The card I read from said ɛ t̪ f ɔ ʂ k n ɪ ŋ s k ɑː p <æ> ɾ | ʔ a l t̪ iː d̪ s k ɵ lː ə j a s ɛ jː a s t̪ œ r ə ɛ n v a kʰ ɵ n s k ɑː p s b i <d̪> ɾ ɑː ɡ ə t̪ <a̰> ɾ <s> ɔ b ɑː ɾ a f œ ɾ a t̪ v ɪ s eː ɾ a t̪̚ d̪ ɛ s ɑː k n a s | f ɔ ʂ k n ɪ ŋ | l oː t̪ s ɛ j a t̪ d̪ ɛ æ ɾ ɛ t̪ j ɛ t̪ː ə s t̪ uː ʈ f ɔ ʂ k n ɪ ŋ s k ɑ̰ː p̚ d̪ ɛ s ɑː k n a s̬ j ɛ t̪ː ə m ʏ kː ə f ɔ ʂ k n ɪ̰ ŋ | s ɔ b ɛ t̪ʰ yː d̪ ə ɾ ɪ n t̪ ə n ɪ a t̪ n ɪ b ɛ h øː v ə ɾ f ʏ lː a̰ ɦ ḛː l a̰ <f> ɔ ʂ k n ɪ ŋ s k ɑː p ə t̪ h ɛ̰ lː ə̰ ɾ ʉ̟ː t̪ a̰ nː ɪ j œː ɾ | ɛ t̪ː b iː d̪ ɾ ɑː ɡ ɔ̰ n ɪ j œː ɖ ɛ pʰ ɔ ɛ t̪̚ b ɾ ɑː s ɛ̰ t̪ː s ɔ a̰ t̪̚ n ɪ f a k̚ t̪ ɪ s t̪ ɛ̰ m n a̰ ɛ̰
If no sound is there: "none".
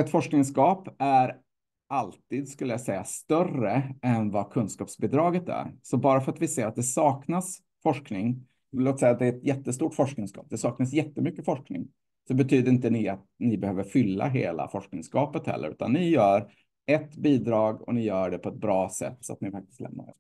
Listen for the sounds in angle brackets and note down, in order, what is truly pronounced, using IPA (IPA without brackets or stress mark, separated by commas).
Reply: æ, d̪, æ̰, s, f